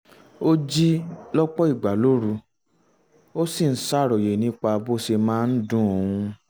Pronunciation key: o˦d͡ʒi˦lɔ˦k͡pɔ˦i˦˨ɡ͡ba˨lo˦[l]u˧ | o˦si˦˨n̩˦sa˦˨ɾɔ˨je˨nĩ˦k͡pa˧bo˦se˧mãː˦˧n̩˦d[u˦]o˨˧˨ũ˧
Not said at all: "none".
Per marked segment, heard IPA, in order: ɾ, ũ˦

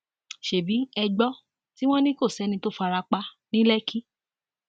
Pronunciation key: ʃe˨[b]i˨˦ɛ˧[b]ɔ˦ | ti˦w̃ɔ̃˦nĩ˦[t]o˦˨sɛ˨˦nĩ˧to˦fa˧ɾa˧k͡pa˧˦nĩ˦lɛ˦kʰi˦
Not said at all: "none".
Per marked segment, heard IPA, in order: b, ɡ͡b, k

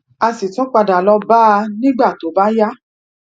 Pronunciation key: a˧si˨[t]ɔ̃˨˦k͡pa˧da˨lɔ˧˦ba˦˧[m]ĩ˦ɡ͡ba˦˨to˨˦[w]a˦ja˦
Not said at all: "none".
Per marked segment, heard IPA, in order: t, n, b

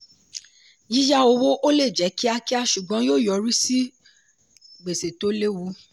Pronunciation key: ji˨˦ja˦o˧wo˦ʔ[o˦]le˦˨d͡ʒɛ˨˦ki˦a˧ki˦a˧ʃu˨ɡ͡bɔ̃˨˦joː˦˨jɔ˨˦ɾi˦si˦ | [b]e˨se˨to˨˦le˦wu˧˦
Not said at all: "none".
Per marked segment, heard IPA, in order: o˦, ɡ͡b

